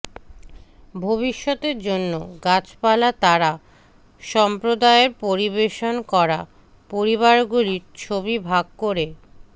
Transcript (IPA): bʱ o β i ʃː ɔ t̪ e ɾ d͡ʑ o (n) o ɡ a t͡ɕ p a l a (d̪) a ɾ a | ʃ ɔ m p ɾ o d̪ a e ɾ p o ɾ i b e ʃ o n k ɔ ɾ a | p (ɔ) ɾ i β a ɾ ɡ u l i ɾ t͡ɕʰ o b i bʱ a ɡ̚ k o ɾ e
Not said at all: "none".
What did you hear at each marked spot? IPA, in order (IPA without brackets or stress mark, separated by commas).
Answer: nː, t̪, o